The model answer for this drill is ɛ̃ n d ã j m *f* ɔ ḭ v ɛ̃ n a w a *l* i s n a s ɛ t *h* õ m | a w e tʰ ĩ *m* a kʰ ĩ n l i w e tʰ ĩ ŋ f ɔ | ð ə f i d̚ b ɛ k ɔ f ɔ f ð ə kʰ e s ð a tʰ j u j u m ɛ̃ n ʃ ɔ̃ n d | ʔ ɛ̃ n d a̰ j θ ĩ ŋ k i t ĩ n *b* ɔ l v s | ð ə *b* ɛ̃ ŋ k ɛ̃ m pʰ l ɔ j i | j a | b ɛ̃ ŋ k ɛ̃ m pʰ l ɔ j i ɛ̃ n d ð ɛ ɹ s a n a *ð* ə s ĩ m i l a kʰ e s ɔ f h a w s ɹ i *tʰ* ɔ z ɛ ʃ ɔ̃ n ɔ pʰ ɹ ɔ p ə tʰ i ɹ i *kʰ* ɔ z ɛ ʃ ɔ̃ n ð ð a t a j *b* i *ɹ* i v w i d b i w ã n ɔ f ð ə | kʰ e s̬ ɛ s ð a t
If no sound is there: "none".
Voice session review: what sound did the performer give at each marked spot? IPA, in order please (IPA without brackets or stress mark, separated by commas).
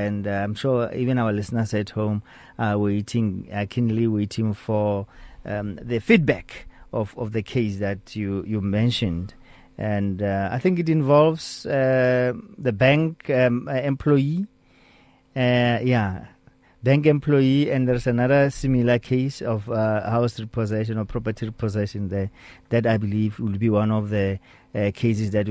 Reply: ʃ, l, h, ŋ, v, b, ð, pʰ, pʰ, b, l